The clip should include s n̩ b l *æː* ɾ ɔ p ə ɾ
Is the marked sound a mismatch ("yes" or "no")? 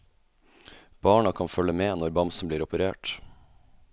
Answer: yes